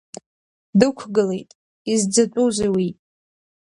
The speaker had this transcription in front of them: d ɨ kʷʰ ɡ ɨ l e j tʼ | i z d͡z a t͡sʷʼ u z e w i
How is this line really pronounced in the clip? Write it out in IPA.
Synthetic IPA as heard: d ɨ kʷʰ ɡ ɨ l e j tʼ | i z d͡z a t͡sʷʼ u z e w i